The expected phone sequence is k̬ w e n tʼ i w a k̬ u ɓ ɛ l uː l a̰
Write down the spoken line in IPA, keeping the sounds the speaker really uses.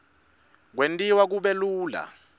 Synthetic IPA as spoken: k̬ w e n tʼ i w a k̬ u ɓ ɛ l uː l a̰